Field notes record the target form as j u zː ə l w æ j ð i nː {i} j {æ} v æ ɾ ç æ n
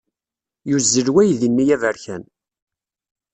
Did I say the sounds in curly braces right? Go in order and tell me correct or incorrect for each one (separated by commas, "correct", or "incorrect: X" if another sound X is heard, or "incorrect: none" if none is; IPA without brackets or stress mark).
correct, correct